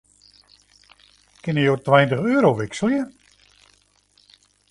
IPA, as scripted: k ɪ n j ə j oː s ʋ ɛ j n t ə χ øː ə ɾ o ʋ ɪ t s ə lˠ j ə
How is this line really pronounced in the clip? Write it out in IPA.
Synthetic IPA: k ɪ n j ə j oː t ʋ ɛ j n t ə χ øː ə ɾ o ʋ ɪ k s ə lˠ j ə